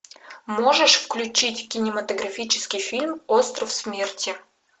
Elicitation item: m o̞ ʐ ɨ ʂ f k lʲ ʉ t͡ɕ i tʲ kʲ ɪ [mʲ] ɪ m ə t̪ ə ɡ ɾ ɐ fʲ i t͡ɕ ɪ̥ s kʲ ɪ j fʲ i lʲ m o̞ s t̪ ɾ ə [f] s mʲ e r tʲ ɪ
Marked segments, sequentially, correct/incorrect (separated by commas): incorrect, correct